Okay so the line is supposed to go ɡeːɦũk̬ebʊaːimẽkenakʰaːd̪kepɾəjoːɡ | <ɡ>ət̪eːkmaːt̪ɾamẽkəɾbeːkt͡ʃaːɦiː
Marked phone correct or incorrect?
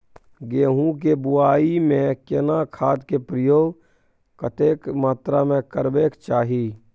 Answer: incorrect